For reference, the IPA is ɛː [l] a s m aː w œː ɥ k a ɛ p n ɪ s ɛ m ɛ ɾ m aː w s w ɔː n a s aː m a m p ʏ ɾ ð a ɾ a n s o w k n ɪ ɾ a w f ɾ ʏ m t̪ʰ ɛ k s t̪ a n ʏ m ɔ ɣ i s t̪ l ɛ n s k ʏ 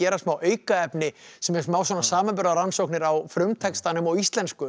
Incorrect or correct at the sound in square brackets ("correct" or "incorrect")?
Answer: incorrect